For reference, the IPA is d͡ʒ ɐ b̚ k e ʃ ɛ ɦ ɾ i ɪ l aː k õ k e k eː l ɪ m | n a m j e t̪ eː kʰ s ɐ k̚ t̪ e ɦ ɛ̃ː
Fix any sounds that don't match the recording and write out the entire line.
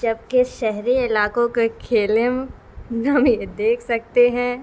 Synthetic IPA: d͡ʒ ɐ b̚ k e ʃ ɛ ɦ ɾ i ɪ l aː k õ k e kʰ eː l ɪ m | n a m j e d̪ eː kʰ s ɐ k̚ t̪ e ɦ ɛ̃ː